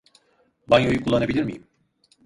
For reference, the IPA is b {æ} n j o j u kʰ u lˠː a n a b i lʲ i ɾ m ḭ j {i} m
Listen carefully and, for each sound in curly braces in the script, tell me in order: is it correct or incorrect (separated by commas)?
incorrect, correct